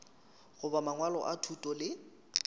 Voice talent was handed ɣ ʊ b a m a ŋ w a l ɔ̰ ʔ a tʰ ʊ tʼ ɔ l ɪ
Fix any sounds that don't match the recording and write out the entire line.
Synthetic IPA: ɣ ʊ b a m a ŋ w a l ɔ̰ ʔ a tʰ u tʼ ɔ l ɪ